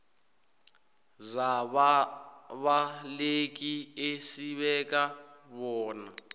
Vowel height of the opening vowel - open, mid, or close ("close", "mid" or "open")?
open